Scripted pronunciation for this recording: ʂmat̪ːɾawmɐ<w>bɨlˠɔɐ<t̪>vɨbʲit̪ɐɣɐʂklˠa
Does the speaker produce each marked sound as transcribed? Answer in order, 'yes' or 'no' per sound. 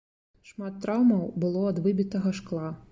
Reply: yes, no

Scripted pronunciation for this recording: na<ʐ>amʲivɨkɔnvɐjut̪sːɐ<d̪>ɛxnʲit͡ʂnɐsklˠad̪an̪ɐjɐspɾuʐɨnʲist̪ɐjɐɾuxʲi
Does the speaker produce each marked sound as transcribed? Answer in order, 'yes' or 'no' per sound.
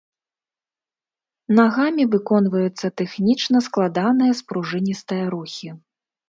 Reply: no, no

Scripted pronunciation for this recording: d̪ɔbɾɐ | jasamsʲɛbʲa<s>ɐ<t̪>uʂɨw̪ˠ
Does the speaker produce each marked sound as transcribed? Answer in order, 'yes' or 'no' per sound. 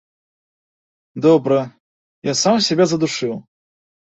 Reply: no, no

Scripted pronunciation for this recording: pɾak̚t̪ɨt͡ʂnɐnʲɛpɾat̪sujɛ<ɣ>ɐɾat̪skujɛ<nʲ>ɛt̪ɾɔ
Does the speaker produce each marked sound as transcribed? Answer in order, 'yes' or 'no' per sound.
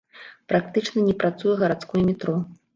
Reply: yes, no

